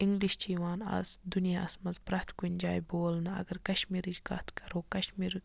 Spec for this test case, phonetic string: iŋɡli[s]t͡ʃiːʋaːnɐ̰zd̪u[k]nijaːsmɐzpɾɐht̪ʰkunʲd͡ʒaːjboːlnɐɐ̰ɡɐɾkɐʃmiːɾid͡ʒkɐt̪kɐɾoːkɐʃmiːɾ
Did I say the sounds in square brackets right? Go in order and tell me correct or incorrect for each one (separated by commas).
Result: incorrect, incorrect